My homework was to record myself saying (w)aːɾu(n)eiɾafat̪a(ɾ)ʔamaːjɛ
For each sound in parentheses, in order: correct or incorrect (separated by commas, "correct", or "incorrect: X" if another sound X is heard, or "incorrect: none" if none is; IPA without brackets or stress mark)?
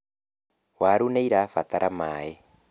correct, correct, correct